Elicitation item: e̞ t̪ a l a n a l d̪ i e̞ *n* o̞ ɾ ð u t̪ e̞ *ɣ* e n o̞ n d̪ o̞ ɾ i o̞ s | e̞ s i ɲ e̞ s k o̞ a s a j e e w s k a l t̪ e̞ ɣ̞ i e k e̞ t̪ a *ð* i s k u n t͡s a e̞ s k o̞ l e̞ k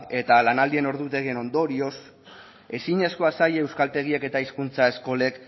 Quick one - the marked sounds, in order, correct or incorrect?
correct, correct, incorrect: none

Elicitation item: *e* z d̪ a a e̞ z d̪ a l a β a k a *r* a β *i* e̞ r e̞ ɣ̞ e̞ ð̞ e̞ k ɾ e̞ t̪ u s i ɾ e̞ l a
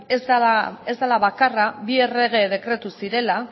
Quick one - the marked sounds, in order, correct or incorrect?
correct, correct, correct

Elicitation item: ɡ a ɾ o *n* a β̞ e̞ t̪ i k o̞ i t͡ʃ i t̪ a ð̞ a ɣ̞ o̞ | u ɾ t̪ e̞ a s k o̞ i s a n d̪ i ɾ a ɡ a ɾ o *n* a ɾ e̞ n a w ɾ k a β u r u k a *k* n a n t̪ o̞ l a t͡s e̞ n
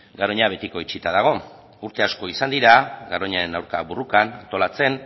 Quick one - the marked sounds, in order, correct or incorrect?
incorrect: ɲ, incorrect: ɲ, incorrect: none

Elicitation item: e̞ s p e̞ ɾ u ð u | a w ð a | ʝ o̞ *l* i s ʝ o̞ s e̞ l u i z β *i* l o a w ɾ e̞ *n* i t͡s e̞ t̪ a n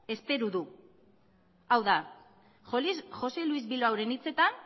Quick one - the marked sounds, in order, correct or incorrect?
correct, correct, correct

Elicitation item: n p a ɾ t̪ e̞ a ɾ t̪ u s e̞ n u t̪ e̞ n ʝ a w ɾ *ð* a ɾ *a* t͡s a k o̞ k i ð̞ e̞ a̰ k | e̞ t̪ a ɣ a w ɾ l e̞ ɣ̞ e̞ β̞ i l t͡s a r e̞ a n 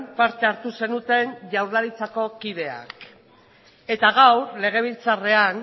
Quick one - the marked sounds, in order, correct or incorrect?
correct, incorrect: i

